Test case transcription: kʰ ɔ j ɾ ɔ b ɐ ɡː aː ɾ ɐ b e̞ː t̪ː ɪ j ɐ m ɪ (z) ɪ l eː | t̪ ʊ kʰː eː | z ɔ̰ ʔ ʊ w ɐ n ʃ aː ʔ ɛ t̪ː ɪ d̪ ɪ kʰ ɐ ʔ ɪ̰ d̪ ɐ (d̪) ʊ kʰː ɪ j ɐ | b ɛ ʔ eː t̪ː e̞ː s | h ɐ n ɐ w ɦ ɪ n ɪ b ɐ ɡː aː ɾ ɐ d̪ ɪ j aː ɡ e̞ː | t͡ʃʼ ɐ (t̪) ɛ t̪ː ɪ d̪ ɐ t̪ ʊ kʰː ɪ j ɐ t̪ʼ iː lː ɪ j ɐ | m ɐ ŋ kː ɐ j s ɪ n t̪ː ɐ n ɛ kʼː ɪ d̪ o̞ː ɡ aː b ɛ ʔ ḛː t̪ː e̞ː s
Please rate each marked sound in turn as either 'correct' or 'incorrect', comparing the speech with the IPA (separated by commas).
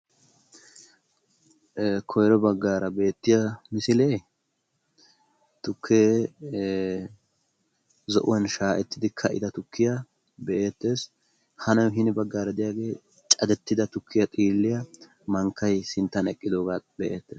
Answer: incorrect, incorrect, incorrect